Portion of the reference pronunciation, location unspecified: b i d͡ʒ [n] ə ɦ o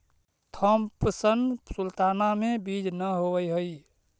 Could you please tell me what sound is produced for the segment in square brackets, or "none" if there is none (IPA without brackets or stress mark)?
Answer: n